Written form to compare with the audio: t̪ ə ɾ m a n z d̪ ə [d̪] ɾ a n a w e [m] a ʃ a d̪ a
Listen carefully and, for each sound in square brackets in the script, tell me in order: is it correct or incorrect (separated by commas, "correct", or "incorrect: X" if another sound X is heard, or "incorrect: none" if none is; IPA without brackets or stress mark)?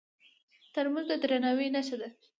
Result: correct, incorrect: n